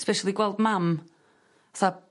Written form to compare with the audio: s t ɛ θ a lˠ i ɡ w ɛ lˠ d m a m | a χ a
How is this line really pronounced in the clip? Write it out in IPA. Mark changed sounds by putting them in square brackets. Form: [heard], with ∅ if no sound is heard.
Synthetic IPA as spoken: s [p] ɛ [ʃ] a lˠ i ɡ w ɛ lˠ d m a m | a [θ] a